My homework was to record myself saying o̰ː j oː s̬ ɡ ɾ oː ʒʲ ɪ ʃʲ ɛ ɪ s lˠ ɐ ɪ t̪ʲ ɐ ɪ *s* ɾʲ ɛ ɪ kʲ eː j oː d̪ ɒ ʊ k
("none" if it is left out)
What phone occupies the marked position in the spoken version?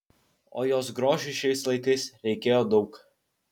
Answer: s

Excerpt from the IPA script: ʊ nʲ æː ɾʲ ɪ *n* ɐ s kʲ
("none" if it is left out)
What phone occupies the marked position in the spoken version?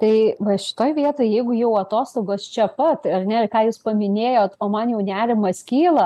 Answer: m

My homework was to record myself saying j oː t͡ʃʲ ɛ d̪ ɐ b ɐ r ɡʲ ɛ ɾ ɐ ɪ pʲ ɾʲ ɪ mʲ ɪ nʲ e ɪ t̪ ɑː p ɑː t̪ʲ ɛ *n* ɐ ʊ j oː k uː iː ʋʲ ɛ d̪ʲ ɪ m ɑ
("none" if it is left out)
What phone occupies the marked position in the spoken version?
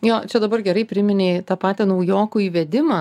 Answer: n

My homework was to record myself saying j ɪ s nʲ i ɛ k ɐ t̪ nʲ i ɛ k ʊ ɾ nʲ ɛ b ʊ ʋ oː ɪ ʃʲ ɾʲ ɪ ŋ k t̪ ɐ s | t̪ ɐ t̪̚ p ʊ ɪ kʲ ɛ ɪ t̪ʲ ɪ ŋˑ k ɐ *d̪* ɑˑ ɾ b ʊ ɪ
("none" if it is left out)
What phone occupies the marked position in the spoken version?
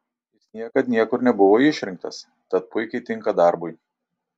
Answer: d̪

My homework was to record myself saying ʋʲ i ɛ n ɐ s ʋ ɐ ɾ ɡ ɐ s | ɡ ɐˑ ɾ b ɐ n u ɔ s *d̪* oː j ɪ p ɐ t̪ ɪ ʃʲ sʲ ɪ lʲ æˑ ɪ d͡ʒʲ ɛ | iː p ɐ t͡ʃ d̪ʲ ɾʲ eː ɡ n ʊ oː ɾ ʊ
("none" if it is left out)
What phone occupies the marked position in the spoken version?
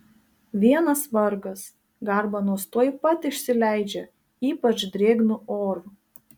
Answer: t̪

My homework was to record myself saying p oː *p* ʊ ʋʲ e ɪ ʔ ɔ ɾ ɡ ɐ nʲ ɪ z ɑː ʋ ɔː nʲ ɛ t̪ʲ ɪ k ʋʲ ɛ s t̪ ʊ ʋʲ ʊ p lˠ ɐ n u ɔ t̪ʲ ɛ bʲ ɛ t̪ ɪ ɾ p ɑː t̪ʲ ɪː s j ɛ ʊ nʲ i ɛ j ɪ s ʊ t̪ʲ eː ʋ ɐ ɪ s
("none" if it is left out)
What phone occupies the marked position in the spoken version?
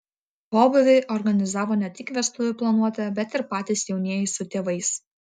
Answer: b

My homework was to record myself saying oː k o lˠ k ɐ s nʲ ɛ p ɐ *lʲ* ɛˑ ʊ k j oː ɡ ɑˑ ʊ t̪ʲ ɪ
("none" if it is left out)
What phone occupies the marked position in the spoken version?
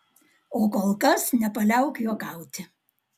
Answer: lʲ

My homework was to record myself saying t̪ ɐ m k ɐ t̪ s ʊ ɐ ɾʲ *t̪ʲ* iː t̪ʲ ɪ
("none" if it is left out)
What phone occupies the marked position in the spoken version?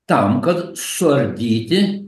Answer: d̪ʲ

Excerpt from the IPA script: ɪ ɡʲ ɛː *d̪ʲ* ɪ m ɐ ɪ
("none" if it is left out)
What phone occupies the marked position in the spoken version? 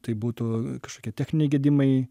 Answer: d̪ʲ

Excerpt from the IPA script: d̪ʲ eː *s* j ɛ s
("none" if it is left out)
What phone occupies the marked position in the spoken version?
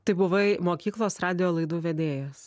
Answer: none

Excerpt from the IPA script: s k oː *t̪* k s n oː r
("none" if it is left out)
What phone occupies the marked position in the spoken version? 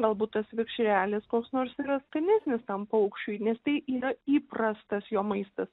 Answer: none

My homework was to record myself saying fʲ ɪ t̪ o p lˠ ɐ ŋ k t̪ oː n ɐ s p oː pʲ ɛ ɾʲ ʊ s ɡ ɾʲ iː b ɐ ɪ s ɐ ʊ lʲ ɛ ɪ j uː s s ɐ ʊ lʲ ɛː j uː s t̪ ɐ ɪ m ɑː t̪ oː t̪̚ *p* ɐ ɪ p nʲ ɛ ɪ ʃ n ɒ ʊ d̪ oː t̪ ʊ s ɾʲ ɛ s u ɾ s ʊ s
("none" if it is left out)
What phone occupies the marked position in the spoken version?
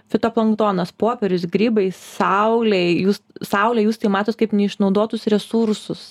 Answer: k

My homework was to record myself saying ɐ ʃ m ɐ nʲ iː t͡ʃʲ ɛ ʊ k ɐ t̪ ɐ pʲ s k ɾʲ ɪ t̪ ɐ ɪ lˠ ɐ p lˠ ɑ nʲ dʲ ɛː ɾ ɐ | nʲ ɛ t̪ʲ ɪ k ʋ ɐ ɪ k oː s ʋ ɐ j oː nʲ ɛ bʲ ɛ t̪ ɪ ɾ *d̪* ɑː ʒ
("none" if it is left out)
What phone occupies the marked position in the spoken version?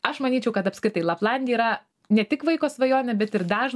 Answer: d̪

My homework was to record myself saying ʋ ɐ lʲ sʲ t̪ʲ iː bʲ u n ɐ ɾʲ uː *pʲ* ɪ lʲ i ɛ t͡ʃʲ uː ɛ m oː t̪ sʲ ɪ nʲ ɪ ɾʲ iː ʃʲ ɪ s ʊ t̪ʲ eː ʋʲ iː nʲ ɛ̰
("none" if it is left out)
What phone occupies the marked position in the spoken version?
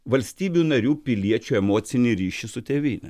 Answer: pʲ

